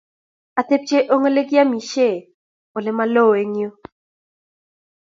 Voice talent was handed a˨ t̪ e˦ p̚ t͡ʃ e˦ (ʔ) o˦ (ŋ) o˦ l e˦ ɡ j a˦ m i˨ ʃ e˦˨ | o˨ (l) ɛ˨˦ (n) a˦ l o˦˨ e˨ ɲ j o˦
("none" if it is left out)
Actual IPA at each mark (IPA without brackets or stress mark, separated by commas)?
ʔ, ŋ, l, m